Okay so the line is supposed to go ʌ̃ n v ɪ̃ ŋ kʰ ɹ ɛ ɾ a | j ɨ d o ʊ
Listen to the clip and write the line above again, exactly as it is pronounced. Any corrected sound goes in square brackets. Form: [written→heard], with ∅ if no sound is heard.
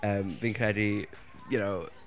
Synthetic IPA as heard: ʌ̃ [n→m] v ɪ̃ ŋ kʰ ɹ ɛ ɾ [a→i] | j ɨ [d→n] o ʊ